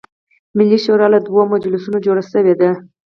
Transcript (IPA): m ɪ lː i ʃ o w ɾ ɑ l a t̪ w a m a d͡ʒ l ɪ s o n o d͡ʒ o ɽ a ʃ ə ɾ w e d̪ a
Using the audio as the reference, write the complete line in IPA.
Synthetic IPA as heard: m ɪ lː i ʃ o ɾ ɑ l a d̪ w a m a d͡ʒ l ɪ s u n o d͡ʒ o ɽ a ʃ ə w e d̪ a